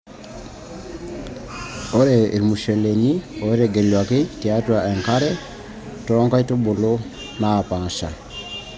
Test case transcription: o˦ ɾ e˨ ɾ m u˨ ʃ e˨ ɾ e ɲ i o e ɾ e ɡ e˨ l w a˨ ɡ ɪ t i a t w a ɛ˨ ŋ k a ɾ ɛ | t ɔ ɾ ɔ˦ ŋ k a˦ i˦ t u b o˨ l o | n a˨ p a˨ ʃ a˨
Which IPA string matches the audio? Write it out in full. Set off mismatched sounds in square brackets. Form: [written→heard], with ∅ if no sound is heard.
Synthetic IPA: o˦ ɾ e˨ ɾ m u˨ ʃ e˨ [ɾ→l] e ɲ i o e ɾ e ɡ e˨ l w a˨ [ɡ→k] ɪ t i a t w a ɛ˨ ŋ k a ɾ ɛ | t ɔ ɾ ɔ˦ ŋ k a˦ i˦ t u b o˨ l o | n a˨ p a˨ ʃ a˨